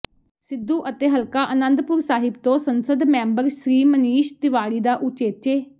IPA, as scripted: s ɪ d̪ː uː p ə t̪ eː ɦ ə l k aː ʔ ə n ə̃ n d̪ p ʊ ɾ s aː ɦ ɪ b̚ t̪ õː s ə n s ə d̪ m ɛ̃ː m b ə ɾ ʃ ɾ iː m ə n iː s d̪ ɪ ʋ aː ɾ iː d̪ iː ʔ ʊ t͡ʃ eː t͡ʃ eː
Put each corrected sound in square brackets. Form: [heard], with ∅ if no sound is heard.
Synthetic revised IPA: s ɪ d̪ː uː [ʔ] ə t̪ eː ɦ ə l k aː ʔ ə n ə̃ n d̪ p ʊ ɾ s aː ɦ ɪ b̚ t̪ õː s ə n s ə d̪ m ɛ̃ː m b ə ɾ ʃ ɾ iː m ə n iː [ʃ] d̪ ɪ ʋ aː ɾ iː d̪ [aː] ʔ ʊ t͡ʃ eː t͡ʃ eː